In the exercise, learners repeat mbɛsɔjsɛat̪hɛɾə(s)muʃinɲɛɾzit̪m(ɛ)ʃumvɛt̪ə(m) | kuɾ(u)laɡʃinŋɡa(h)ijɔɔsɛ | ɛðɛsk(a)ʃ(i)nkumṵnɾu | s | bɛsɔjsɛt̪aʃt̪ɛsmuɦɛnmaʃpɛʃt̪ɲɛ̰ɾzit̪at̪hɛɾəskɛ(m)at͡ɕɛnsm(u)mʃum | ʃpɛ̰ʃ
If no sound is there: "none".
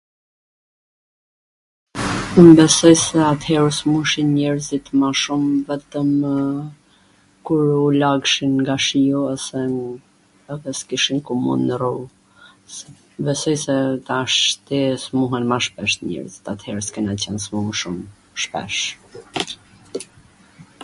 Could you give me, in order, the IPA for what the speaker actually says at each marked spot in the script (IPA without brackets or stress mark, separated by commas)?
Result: s, a, m, u, ʃ, i, i, n, u